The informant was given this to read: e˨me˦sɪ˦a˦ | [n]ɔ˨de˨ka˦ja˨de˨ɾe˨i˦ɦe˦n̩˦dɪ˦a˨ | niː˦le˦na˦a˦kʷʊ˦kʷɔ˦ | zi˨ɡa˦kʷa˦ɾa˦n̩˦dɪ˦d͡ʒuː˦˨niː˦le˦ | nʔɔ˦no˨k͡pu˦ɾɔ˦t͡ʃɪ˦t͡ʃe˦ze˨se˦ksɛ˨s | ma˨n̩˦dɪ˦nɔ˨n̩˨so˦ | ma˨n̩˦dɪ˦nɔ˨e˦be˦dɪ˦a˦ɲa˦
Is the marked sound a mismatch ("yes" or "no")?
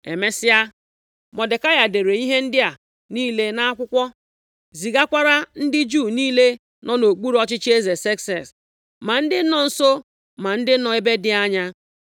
yes